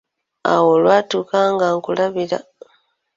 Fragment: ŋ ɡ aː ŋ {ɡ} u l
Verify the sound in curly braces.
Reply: incorrect: k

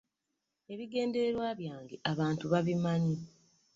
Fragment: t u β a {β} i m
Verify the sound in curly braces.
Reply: correct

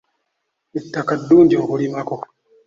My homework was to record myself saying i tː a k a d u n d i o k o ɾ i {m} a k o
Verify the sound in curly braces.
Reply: correct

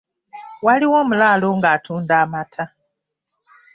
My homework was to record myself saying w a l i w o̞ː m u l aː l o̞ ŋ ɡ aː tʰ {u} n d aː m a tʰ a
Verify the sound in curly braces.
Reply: incorrect: uː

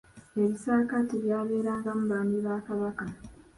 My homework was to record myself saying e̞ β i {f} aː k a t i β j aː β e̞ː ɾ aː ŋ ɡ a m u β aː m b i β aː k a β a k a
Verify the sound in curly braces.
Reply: incorrect: s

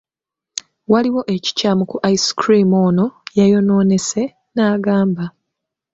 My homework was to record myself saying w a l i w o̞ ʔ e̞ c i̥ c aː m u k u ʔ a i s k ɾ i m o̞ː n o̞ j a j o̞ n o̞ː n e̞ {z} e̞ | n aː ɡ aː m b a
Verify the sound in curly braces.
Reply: incorrect: s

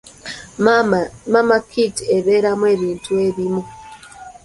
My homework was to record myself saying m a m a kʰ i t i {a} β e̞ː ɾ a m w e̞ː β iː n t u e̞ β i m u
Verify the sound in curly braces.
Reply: incorrect: e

